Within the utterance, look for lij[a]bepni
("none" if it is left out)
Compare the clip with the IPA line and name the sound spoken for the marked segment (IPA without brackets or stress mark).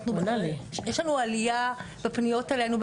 a